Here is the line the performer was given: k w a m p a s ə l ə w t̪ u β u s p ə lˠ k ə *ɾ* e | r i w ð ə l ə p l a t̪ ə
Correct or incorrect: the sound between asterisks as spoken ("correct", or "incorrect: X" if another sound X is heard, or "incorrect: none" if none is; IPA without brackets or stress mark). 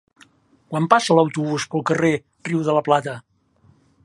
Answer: incorrect: r